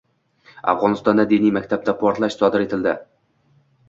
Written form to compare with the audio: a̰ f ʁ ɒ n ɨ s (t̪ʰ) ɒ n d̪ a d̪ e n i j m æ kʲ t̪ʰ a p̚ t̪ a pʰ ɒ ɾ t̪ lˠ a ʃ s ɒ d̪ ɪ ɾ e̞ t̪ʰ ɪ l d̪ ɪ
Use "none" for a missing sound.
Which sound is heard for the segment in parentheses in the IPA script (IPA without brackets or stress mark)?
t̪